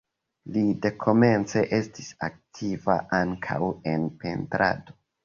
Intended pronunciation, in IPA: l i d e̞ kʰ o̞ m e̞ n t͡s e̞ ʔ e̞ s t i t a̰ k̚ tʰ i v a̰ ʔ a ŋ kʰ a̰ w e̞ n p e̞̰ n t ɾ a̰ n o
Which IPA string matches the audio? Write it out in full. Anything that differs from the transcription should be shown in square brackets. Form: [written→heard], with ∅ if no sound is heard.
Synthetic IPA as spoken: l i d e̞ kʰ o̞ m e̞ n t͡s e̞ ʔ e̞ s t i [t→s] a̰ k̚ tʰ i v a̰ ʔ a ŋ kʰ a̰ w e̞ n p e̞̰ n t ɾ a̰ [n→d] o